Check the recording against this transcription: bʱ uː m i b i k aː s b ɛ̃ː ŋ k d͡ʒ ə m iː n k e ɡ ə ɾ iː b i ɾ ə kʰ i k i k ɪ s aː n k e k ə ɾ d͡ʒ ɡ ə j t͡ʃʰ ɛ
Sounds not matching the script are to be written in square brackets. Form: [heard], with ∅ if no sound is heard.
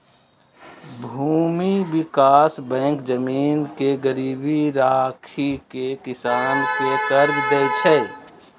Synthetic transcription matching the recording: bʱ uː m i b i k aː s b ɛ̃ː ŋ k d͡ʒ ə m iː n k e ɡ ə ɾ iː b i ɾ [a] kʰ i k [e] k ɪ s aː n k e k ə ɾ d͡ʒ ɡ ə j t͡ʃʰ ɛ